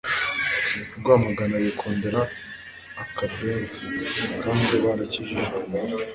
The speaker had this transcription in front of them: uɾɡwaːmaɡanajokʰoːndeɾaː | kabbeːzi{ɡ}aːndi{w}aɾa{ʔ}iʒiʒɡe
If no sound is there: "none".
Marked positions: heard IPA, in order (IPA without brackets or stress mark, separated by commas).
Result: k, β, c